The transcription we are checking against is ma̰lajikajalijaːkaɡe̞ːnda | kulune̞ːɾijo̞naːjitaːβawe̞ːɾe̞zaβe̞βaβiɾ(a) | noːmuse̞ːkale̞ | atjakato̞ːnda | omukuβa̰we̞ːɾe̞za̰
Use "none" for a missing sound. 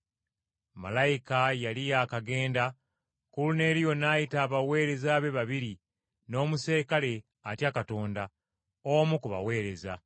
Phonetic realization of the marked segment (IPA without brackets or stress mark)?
i